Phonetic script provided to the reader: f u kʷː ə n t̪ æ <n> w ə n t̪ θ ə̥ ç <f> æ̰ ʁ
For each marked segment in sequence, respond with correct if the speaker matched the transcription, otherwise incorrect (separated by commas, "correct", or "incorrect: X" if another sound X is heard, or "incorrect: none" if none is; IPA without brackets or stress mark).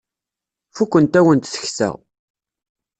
incorrect: none, incorrect: s